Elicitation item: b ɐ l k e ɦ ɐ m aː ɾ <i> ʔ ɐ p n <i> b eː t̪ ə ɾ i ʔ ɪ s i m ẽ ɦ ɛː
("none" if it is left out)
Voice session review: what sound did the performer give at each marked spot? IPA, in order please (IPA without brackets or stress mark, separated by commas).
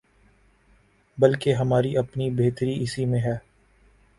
i, i